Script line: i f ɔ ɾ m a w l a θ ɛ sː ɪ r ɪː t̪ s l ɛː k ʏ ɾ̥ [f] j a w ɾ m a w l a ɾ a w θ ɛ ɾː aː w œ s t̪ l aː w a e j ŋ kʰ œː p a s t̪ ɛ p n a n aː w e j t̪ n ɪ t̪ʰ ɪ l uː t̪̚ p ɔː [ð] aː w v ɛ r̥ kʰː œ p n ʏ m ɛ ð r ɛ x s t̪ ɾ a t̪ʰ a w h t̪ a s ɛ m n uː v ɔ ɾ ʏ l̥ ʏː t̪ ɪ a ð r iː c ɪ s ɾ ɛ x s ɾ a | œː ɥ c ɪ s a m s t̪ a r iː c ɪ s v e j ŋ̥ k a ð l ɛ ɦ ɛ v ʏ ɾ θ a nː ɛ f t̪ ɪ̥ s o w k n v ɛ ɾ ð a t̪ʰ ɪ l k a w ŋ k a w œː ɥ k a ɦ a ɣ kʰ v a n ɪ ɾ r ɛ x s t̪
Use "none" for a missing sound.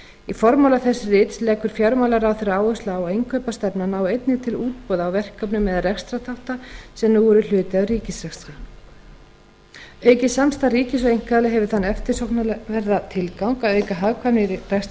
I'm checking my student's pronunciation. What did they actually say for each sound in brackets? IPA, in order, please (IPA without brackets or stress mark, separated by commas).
f, ð